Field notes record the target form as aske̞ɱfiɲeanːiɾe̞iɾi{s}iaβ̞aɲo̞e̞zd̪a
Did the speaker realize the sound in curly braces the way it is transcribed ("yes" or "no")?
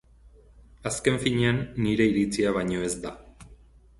no